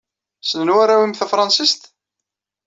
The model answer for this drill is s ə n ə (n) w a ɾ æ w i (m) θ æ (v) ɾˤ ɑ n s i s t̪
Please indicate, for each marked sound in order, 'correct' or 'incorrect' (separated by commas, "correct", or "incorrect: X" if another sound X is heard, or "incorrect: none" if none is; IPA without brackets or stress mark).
correct, correct, incorrect: f